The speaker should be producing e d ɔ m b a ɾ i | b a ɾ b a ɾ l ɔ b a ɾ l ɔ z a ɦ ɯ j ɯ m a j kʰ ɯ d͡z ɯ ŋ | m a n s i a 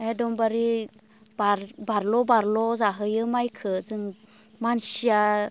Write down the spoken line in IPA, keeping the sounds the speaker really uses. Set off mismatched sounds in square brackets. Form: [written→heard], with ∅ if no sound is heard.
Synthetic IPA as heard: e d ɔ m b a ɾ i | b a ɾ b a ɾ l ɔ b a ɾ l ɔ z a ɦ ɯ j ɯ m a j kʰ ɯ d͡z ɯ ŋ | m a n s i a